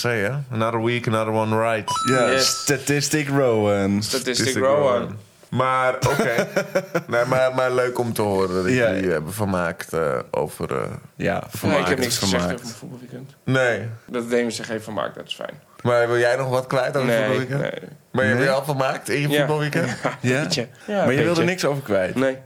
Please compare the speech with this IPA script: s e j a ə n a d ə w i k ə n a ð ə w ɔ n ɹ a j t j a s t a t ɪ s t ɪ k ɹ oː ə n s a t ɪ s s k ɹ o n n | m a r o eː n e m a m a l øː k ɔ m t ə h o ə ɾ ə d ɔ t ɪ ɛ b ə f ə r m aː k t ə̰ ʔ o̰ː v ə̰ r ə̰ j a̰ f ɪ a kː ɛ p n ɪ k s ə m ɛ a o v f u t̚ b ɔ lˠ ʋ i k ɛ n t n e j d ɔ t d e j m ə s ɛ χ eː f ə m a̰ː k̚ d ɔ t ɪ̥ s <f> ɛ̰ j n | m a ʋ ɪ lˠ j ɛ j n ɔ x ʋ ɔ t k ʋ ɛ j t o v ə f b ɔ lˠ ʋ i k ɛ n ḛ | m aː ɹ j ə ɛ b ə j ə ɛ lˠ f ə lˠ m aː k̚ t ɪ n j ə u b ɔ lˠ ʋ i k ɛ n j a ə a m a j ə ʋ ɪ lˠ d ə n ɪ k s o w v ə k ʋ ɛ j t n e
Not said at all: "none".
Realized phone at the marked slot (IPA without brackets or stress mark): f